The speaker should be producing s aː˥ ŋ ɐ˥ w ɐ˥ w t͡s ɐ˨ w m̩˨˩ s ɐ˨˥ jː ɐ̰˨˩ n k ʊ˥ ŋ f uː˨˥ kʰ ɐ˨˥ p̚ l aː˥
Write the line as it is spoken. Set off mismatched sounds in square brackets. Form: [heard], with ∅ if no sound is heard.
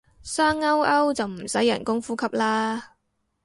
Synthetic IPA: s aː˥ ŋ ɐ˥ w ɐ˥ w t͡s ɐ˨ w m̩˨˩ s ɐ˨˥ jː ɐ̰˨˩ n k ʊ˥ ŋ f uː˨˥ kʰ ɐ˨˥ p̚ l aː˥